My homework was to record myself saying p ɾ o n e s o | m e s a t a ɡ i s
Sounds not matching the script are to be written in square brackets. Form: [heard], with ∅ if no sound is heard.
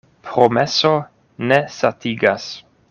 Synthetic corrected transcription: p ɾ o [m] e s o | [n] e s a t [i] ɡ [a] s